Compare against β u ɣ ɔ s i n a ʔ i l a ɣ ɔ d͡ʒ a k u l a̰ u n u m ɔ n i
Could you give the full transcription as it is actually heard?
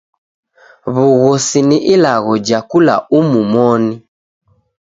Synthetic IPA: β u ɣ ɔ s i n i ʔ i l a ɣ ɔ d͡ʒ a k u l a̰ u m u m ɔ n i